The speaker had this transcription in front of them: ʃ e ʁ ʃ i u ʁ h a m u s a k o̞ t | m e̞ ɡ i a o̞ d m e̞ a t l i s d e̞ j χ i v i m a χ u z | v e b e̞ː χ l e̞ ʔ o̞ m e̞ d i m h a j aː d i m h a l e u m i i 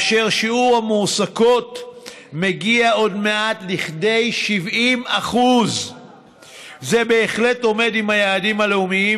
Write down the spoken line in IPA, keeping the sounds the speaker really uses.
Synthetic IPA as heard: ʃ e ʁ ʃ i u ʁ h a m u s a k o̞ t | m e̞ ɡ i a o̞ d m e̞ a t l i χ d e̞ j ʃ i v i m a χ u z | z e b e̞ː χ l e̞ t o̞ m e̞ d i m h a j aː d i m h a l e u m i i